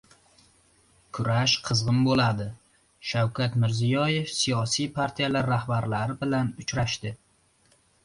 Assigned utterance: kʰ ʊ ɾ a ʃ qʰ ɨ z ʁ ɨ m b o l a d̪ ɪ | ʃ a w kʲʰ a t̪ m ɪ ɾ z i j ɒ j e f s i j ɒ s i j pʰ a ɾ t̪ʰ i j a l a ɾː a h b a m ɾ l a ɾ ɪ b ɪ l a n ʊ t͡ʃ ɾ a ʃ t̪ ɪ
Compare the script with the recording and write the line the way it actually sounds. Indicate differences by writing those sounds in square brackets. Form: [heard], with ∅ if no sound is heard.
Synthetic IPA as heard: kʰ ʊ ɾ a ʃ qʰ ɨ z ʁ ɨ m b o l a d̪ ɪ | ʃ a w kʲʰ a t̪ m ɪ ɾ z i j ɒ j e f s i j ɒ s i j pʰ a ɾ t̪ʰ i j a l a ɾː a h b a [∅] ɾ l a ɾ ɪ b ɪ l a n ʊ t͡ʃ ɾ a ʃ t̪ ɪ